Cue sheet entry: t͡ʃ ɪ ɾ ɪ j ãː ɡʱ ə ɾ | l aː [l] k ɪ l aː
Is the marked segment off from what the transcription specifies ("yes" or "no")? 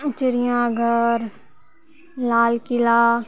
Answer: no